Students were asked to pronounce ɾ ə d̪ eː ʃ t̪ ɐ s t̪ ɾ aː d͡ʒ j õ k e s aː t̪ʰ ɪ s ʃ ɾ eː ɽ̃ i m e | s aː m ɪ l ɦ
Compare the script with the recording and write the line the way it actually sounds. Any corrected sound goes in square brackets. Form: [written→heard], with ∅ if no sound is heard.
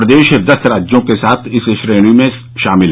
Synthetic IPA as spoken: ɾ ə d̪ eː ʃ [t̪→d̪] ɐ s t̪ ɾ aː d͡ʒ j õ k e s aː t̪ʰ ɪ s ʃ ɾ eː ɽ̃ i m [e→ẽ] | [s→ʃ] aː m ɪ l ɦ